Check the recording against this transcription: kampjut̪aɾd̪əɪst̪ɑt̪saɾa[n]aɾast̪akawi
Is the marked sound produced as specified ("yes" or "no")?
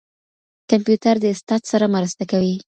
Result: no